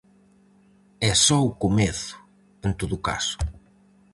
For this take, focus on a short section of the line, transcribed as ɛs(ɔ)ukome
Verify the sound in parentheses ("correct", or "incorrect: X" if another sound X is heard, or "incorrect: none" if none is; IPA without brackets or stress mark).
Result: correct